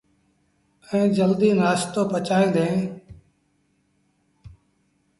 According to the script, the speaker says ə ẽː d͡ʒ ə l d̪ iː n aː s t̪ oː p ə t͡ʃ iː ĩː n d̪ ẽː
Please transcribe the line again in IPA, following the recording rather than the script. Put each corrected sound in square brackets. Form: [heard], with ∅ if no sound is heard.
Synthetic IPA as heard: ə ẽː d͡ʒ ə l d̪ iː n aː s t̪ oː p ə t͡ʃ [aː] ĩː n d̪ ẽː